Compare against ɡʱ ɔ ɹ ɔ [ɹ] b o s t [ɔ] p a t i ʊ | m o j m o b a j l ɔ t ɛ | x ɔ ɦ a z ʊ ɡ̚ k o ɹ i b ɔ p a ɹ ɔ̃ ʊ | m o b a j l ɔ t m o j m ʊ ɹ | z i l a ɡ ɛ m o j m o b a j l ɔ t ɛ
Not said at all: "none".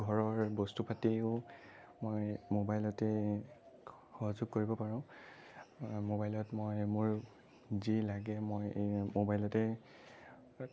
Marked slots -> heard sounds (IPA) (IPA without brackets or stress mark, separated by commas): ɹ, u